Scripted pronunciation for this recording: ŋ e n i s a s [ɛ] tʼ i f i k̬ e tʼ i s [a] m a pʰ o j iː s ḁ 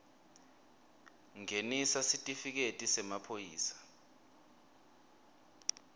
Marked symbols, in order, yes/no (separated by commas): no, no